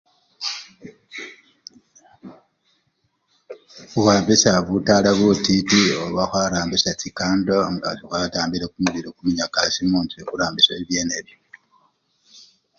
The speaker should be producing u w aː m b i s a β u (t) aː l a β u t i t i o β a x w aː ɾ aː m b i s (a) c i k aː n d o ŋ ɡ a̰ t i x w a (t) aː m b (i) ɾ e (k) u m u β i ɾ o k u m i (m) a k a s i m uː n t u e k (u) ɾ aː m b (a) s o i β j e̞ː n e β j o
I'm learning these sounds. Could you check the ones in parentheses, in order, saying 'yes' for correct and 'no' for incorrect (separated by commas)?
yes, yes, yes, yes, yes, no, yes, no